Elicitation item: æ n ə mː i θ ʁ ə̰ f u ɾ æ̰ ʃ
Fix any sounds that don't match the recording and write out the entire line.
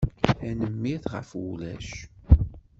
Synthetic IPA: æ n ə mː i θ ʁ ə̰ f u l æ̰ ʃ